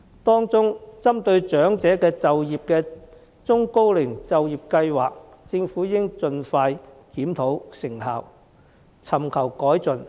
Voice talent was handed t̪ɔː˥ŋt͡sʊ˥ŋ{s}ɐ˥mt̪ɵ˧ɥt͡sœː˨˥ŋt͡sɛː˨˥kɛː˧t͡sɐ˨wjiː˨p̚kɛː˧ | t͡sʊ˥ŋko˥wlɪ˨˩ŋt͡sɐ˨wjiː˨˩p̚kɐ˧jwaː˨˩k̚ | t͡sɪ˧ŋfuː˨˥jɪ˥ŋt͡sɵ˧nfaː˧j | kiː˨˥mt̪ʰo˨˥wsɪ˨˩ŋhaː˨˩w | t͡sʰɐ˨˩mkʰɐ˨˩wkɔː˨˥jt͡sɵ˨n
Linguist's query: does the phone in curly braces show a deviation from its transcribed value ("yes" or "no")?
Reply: yes